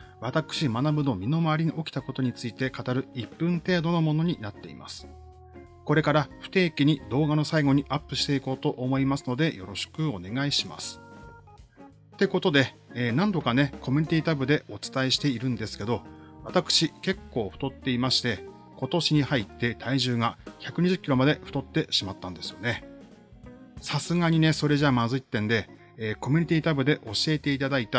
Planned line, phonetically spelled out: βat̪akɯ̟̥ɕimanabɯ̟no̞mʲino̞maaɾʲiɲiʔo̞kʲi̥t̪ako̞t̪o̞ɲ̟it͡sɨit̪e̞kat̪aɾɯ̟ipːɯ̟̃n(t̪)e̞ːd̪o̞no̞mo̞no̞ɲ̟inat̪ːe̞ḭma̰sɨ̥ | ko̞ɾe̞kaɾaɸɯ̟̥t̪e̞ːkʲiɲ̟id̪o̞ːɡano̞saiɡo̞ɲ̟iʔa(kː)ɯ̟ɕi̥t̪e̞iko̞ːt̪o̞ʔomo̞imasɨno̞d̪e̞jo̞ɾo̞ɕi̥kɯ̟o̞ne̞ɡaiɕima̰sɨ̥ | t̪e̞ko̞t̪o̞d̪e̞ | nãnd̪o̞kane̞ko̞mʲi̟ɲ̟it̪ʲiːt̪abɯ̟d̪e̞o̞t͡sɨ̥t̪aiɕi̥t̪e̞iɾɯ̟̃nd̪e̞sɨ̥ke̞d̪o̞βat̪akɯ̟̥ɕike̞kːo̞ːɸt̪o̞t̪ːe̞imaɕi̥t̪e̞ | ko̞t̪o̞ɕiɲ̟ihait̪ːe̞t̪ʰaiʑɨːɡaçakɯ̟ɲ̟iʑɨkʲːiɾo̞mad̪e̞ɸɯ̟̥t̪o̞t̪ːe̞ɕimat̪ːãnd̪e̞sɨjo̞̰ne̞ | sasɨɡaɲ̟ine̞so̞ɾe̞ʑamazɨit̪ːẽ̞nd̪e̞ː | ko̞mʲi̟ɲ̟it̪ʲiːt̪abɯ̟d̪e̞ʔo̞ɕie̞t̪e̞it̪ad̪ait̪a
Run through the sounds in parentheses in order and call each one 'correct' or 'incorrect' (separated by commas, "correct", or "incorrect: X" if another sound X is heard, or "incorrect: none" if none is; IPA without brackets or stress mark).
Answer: correct, incorrect: pː